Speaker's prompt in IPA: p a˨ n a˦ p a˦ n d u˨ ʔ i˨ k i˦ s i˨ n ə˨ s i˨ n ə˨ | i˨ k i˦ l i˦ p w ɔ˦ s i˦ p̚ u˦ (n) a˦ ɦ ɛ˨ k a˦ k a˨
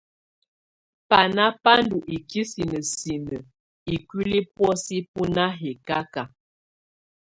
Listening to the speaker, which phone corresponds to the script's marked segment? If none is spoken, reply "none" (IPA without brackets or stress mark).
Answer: n